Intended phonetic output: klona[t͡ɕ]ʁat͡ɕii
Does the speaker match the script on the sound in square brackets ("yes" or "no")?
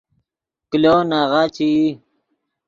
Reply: no